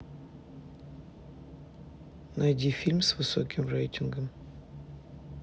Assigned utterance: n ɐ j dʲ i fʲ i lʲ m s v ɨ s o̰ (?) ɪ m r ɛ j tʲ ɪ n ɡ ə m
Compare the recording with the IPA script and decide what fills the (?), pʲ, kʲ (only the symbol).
kʲ